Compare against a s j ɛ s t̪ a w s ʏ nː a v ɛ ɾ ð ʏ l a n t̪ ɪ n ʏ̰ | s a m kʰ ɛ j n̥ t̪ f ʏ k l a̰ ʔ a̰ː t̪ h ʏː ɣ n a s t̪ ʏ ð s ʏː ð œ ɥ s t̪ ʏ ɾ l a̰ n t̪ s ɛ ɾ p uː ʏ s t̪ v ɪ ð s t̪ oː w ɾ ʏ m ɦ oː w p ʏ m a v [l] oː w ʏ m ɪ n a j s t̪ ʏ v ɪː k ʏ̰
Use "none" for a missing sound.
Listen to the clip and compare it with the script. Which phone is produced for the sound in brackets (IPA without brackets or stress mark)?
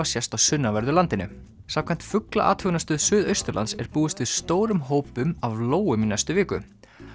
l